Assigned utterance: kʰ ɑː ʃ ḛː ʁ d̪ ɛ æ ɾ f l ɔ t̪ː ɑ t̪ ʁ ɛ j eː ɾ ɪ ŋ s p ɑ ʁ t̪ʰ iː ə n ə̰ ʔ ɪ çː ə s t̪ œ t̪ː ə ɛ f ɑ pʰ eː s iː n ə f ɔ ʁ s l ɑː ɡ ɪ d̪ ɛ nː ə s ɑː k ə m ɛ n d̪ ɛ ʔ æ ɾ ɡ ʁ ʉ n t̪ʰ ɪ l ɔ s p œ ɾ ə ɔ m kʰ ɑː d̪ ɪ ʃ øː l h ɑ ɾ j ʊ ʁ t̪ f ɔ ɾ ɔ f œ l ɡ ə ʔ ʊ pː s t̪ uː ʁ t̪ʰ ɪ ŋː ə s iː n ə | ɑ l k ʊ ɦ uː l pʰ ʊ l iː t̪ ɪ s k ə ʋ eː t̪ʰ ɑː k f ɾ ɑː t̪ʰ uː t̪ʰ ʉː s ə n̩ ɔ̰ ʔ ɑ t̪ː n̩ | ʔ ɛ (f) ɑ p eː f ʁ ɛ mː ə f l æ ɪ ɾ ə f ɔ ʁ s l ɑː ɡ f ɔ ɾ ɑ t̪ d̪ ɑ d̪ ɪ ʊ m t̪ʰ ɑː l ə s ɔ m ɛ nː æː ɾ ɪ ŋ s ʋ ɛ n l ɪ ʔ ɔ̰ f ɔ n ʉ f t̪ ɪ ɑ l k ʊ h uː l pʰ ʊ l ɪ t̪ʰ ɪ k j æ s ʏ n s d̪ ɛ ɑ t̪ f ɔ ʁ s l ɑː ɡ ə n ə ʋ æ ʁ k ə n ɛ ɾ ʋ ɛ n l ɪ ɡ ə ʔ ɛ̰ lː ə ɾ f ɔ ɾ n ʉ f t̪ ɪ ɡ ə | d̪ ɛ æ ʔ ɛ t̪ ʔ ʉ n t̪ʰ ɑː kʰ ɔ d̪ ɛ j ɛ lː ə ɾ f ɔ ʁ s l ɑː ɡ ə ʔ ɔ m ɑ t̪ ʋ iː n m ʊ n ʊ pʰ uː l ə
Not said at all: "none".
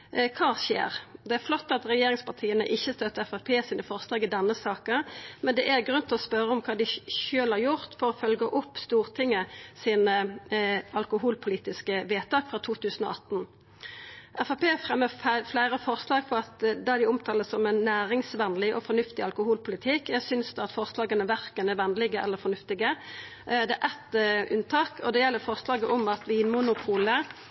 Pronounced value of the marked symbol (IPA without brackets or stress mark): f